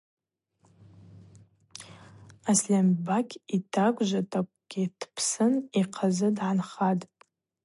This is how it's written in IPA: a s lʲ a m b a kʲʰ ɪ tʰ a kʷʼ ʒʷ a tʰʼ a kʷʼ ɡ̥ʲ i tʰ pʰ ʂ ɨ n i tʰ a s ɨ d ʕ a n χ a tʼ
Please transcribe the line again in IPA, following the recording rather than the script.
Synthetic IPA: a s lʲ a m b a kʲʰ i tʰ a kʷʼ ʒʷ a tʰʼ a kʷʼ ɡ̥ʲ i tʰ pʰ s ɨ n i qʰ a z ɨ d ʕ a n χ a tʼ